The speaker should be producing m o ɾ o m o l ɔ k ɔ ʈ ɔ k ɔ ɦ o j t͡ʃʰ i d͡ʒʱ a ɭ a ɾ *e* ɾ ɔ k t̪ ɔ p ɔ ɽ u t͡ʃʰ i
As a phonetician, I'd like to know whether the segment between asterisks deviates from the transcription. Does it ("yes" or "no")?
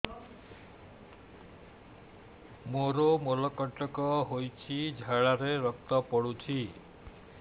no